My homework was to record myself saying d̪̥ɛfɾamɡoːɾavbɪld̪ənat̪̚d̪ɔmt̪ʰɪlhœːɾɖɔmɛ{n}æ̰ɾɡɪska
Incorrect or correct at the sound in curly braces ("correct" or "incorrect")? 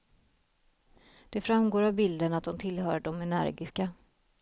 correct